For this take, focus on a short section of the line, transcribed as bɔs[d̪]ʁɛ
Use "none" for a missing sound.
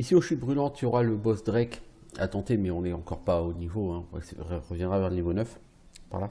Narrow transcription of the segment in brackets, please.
d̪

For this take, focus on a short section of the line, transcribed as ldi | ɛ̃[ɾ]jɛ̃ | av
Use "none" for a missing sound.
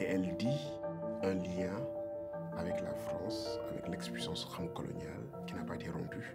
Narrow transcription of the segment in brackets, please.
l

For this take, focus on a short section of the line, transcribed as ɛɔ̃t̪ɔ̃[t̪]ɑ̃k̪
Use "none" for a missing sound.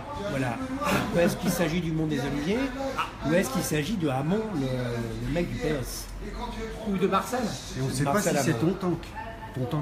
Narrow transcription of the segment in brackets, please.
t̪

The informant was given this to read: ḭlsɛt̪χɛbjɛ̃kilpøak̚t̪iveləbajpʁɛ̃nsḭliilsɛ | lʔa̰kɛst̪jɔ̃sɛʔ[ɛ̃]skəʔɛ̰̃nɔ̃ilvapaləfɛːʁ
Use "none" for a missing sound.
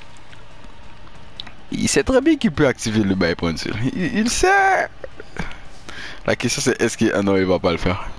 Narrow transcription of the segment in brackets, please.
ɛ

